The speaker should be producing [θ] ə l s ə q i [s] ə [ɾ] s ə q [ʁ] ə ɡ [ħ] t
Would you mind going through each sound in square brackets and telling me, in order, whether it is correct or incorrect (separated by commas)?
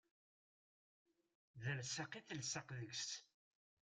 incorrect, incorrect, incorrect, incorrect, incorrect